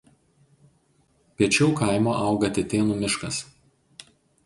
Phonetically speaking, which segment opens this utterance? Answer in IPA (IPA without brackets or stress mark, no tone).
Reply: pʲ